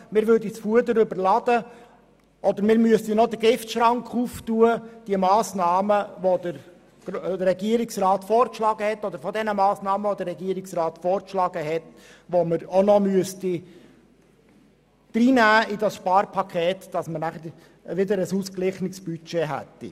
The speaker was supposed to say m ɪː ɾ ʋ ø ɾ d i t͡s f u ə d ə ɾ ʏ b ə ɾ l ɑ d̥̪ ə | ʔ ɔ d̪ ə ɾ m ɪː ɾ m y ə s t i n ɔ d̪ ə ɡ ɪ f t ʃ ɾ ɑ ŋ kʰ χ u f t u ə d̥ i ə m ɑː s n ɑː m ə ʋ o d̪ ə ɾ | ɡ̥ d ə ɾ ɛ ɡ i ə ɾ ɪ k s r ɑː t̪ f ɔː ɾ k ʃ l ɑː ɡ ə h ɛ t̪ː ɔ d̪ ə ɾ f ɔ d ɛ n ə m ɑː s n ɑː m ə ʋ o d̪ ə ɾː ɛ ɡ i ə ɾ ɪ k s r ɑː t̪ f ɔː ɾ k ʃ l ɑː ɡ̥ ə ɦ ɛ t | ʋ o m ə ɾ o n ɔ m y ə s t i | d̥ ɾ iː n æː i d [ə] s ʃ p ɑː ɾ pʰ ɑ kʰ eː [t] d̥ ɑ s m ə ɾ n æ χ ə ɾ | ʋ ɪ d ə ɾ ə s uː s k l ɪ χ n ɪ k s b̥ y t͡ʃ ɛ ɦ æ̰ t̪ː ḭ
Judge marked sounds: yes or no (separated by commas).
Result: no, yes